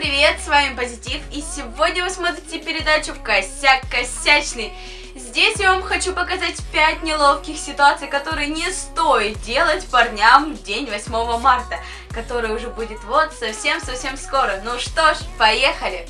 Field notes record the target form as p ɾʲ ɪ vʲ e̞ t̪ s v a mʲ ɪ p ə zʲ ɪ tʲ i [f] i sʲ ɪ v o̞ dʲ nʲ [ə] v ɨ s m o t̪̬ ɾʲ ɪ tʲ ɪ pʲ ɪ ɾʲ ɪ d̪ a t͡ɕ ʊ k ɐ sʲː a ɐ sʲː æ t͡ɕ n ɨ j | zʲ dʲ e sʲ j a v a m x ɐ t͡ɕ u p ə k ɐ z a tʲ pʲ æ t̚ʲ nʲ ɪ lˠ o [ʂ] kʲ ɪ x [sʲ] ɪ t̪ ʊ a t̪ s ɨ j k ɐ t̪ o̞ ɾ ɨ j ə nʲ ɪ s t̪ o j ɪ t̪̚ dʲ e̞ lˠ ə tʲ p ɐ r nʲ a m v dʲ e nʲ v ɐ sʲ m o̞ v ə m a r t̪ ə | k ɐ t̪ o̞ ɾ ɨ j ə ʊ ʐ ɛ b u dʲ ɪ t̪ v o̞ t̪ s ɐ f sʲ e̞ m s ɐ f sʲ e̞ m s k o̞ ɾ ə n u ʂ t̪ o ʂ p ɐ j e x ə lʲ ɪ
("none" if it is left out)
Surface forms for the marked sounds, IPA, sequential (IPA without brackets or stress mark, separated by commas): f, ə, f, sʲ